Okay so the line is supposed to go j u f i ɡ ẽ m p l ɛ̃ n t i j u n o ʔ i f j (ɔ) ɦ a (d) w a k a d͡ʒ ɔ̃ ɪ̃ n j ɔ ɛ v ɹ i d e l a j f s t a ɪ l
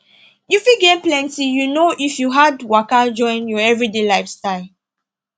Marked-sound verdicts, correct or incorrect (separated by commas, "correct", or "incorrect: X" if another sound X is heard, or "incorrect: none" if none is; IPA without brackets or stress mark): incorrect: u, correct